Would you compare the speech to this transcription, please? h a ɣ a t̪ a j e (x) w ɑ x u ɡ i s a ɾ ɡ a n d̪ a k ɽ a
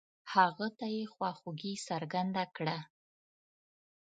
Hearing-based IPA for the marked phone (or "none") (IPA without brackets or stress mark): x